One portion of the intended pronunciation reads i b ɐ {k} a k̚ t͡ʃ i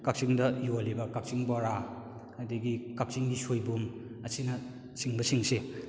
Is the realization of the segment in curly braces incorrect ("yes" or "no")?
no